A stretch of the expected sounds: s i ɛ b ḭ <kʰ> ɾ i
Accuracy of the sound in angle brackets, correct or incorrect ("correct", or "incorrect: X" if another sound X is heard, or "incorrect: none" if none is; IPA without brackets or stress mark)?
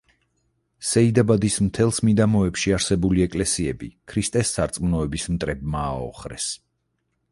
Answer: correct